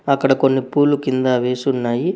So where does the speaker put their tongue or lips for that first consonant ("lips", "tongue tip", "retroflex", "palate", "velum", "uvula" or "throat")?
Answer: velum